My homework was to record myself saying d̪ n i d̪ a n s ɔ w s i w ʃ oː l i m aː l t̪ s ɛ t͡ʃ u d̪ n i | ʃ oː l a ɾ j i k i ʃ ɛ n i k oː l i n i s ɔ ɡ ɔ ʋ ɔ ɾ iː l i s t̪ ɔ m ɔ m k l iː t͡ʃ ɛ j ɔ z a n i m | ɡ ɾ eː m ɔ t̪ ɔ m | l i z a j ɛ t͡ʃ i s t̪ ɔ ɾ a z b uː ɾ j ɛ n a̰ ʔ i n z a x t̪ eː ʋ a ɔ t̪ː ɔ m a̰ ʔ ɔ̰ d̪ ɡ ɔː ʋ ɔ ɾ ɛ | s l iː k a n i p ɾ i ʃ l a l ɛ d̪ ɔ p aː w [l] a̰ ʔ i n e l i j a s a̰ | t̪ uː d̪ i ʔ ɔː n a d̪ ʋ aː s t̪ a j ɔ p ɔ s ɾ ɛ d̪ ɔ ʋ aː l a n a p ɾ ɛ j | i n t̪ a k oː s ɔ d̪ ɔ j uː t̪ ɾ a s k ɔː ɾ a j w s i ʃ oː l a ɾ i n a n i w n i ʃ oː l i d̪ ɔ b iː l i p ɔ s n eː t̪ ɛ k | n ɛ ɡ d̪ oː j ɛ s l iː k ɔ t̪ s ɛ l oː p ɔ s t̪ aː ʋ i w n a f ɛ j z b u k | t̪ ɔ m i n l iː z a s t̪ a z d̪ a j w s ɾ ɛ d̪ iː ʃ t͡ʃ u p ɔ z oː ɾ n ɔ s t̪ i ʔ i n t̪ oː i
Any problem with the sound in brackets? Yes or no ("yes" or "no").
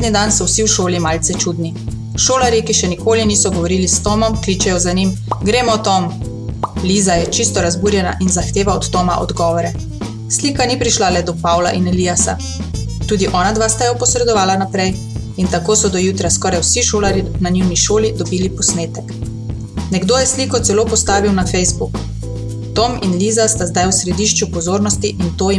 no